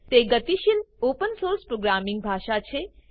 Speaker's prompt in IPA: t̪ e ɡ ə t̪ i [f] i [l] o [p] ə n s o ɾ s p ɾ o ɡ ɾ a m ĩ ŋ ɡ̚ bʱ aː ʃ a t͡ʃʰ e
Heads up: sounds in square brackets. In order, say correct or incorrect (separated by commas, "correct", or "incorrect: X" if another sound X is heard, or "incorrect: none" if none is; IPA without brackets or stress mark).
incorrect: ʃ, correct, correct